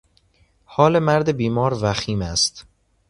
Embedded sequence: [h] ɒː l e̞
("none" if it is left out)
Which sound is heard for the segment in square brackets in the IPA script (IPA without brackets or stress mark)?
h